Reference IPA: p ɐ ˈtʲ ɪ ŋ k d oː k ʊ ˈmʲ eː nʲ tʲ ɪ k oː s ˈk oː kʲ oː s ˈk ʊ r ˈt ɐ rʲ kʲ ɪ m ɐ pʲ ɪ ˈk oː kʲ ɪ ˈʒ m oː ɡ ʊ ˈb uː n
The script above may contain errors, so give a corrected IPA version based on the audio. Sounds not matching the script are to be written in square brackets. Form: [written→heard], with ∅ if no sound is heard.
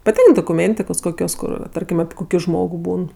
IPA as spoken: p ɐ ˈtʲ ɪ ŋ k d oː k ʊ ˈmʲ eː nʲ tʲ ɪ k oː s ˈk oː kʲ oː s ˈk ʊ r ˈt ɐ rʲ kʲ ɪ m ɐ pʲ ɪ ˈk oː kʲ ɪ ˈʒ m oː ɡ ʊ ˈb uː n